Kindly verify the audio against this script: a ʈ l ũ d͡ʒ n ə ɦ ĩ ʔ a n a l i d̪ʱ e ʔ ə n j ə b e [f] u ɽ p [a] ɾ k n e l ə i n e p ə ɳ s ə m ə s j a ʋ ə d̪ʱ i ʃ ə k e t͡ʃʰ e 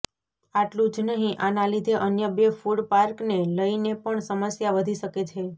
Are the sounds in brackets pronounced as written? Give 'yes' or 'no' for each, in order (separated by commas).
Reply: yes, yes